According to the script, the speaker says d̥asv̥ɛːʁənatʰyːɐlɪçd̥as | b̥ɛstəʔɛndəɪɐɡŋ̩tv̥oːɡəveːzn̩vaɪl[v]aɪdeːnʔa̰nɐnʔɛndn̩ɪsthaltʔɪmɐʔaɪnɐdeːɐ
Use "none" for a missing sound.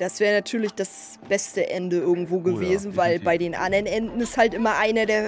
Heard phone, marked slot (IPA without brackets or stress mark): b